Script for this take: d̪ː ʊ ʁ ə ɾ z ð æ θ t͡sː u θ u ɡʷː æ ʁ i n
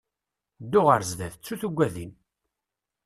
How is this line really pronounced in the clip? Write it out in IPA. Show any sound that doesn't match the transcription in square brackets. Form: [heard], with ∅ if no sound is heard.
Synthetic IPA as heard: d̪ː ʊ ʁ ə ɾ z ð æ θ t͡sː u θ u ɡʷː æ [ð] i n